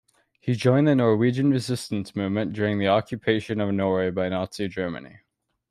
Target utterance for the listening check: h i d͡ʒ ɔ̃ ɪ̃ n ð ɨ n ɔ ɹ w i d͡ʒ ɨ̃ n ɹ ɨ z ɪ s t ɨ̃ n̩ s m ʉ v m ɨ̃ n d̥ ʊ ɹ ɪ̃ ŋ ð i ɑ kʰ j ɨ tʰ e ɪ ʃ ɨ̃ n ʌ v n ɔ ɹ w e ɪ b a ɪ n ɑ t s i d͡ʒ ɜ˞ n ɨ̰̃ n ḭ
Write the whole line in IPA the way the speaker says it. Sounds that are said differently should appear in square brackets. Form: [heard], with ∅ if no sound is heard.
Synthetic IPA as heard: h i d͡ʒ ɔ̃ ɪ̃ n ð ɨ n ɔ ɹ w i d͡ʒ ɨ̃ n ɹ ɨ z ɪ s t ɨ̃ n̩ s m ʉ v m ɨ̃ n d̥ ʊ ɹ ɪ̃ ŋ ð i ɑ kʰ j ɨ [pʰ] e ɪ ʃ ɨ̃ n ʌ v n ɔ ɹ w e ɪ b a ɪ n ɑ t s i d͡ʒ ɜ˞ [m] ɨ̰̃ n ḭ